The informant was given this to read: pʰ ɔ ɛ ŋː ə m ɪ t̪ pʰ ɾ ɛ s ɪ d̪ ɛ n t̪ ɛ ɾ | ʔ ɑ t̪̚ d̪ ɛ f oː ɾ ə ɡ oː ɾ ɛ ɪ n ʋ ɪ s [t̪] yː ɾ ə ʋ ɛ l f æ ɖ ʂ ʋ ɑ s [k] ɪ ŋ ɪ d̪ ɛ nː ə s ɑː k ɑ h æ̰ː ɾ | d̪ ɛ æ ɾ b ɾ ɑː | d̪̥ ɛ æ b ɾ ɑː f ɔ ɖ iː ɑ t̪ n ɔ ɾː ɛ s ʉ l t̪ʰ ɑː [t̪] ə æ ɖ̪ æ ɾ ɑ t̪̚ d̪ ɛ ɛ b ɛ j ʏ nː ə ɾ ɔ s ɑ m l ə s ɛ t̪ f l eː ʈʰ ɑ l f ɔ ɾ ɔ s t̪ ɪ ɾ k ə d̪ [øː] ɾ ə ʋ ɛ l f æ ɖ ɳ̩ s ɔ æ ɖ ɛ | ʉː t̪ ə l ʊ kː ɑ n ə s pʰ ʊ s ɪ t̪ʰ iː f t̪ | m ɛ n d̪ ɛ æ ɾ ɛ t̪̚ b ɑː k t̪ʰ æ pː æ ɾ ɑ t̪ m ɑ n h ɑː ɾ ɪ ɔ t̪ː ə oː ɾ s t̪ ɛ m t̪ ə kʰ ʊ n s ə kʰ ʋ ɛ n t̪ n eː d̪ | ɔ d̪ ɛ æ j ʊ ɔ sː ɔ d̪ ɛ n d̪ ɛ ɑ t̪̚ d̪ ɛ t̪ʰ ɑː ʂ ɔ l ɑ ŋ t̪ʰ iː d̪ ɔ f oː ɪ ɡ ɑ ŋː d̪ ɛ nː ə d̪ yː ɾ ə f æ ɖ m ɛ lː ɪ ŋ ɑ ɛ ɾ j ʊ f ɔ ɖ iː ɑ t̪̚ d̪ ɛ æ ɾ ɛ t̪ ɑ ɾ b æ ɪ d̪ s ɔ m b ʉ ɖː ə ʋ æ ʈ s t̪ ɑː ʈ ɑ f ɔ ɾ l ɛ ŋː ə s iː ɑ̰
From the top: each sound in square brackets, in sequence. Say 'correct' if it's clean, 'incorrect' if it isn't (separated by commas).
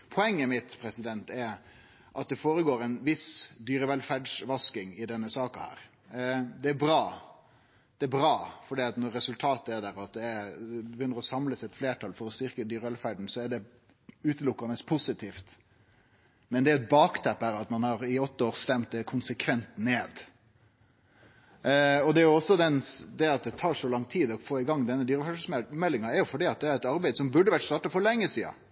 incorrect, correct, correct, incorrect